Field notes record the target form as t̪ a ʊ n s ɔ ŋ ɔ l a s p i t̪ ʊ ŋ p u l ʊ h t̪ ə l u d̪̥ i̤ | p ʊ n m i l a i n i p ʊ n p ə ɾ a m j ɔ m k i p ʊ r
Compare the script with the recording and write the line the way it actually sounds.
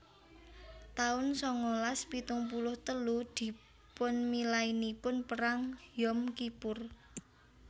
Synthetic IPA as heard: t̪ a ʊ n s ɔ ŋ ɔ l a s p i t̪ ʊ ŋ p u l ʊ h t̪ ə l u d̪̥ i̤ | p ʊ n m i l a i n i p ʊ n p ə ɾ a ŋ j ɔ m k i p ʊ r

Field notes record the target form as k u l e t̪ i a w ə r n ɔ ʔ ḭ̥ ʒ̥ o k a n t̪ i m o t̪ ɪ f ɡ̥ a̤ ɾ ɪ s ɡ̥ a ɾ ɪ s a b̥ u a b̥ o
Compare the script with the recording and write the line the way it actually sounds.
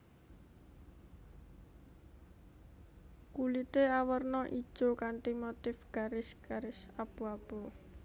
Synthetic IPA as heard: k u l i t̪ e a w ə r n ɔ ʔ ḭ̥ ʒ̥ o k a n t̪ i m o t̪ ɪ f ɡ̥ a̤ ɾ ɪ s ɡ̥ a ɾ ɪ s a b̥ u a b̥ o

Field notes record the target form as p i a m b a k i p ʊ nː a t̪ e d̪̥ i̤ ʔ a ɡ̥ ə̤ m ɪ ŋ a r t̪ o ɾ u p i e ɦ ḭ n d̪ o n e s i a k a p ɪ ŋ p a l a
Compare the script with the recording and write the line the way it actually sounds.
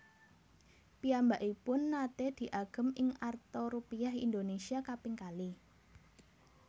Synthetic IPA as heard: p i a m b a ʔ i p ʊ nː a t̪ e d̪̥ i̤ ʔ a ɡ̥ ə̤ m ɪ ŋ a r t̪ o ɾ u p i a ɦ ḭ n d̪ o n e s i a k a p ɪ ŋ k a l i

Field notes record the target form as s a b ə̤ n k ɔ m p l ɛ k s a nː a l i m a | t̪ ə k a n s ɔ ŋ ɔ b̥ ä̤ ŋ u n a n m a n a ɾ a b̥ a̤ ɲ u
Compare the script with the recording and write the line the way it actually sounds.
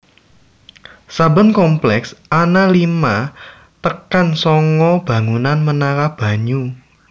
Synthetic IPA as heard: s a b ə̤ n k ɔ m p l ɛ k s a n a l i m a | t̪ ə k a n s ɔ ŋ ɔ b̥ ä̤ ŋ u n a n m ə n a ɾ a b̥ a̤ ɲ u

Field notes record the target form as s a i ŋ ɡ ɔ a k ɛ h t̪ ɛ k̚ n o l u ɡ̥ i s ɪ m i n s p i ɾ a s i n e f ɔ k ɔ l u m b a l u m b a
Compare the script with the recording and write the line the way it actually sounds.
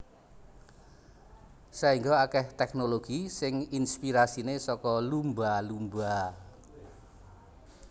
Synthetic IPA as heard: s a i ŋ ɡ ɔ a k ɛ h t̪ ɛ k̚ n o l o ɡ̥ i s ɪ ŋ i n s p i ɾ a s i n e s ɔ k ɔ l u m b a l u m b a

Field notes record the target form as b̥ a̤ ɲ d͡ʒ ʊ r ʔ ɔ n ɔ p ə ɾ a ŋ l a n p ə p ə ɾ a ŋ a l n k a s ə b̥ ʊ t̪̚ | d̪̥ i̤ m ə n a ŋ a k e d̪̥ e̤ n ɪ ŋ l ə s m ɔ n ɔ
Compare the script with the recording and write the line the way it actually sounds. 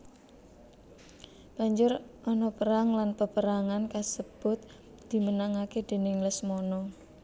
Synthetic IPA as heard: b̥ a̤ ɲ d͡ʒ ʊ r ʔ ɔ n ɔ p ə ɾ a ŋ l a n p ə p ə ɾ a ŋ a n k a s ə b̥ ʊ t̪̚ | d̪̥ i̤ m ə n a ŋ a k e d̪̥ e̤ n ɪ ŋ l ə s m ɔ n ɔ

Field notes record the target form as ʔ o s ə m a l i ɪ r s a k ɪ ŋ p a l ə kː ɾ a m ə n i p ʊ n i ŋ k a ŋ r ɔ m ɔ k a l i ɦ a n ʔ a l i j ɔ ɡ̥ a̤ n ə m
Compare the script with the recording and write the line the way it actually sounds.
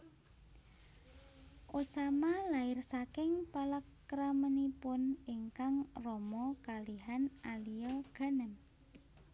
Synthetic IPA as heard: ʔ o s a m a l a ɪ r s a k ɪ ŋ p a l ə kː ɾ a m ə n i p ʊ n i ŋ k a ŋ r ɔ m ɔ k a l i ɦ a n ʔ a l i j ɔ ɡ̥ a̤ n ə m

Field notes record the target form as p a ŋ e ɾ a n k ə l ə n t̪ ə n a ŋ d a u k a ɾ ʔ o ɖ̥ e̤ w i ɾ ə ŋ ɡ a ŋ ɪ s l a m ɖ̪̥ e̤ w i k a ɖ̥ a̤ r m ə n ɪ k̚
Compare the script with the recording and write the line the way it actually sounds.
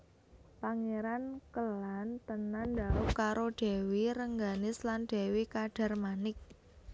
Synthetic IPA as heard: p a ŋ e ɾ a n k ə l a n t̪ ə n a n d a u k a ɾ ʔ o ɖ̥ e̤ w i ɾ ə ŋ ɡ a n ɪ s l a n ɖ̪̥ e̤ w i k a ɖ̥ a̤ r m a n ɪ k̚

